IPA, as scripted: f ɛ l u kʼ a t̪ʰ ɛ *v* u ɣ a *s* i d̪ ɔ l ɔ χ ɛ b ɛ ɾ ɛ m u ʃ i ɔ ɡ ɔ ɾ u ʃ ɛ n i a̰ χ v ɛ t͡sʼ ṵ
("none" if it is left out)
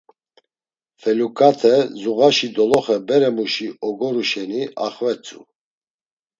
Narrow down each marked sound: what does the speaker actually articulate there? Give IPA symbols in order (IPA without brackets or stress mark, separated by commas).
z, ʃ